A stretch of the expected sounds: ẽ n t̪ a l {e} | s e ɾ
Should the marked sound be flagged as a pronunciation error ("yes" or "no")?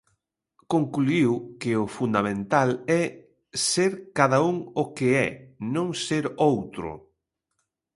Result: yes